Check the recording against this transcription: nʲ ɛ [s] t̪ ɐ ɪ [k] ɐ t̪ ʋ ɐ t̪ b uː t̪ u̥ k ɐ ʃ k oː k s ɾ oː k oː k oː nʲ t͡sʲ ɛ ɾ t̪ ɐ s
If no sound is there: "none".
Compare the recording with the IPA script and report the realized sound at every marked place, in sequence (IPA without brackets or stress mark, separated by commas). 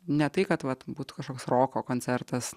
none, k